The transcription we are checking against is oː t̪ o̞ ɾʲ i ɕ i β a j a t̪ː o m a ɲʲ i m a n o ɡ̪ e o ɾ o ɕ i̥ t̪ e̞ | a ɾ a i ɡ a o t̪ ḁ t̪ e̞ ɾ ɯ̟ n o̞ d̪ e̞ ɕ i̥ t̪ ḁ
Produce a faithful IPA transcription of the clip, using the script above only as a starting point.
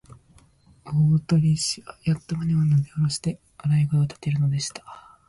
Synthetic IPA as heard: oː t̪ o̞ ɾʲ i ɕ i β a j a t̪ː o m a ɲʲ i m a n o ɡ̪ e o ɾ o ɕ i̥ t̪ e̞ | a ɾ a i ɡ a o t̪ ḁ t̪ e̞ ɾ ɯ̟ n o̞ d̪ e̞ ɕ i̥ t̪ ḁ